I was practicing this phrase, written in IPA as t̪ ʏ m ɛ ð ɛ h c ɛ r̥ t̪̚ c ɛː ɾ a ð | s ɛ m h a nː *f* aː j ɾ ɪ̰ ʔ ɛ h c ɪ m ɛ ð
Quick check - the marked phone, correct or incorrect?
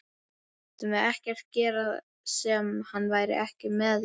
incorrect